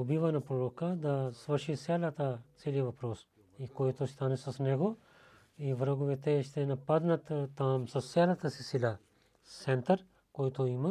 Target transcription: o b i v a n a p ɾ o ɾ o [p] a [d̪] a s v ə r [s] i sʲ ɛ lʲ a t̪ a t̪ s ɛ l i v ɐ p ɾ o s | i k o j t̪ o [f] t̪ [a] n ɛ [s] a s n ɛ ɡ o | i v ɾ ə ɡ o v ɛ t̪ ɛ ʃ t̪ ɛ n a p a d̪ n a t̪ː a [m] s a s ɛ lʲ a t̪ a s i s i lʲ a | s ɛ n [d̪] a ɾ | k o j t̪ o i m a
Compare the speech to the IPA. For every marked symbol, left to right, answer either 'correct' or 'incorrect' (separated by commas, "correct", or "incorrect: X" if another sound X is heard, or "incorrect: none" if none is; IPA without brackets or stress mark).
incorrect: k, correct, incorrect: ʃ, incorrect: s, correct, correct, correct, incorrect: t̪